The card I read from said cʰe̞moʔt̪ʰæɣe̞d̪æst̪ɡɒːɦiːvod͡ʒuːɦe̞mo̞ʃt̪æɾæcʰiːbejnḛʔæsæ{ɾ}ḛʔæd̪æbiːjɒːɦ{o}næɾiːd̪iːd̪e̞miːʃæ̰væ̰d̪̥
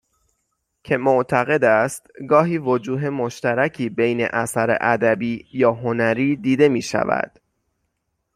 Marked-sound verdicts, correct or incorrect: correct, correct

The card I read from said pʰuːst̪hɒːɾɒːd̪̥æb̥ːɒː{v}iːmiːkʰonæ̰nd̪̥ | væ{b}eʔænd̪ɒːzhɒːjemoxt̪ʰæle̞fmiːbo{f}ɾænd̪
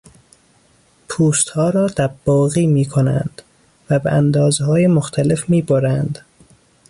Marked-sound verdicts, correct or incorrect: incorrect: ɣ, correct, incorrect: none

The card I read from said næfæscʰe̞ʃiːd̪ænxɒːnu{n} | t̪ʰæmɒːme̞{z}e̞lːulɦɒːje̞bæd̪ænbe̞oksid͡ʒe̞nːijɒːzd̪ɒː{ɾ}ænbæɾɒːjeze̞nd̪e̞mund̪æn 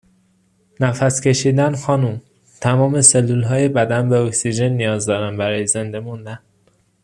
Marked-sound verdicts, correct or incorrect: incorrect: m, incorrect: s, correct

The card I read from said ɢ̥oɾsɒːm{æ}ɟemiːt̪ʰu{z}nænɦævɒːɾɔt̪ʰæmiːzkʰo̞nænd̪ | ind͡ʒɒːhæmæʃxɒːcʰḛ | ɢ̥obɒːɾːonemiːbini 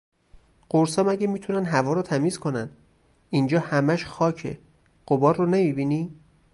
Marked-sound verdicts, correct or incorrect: correct, incorrect: none

